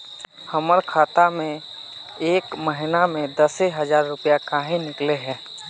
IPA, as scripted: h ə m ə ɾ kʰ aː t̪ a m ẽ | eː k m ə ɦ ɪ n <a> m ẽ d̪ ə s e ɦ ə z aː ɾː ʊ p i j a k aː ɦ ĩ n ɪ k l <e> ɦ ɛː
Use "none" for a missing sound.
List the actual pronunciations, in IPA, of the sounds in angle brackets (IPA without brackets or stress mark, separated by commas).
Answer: a, e